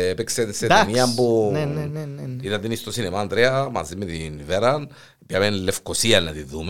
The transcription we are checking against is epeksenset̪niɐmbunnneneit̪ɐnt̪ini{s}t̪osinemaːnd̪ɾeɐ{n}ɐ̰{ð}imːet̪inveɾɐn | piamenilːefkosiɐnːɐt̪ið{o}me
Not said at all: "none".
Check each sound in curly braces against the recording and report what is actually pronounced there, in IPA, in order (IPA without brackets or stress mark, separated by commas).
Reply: s, m, z, u